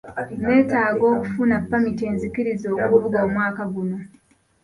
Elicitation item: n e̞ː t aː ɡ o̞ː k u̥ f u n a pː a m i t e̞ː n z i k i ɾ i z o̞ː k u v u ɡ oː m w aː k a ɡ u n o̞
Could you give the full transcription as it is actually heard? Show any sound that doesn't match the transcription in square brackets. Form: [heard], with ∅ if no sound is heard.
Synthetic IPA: n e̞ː t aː ɡ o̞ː k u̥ f u n a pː a m i t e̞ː n z i k i ɾ i z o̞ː k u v u ɡ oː m w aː k a ɡ u n o̞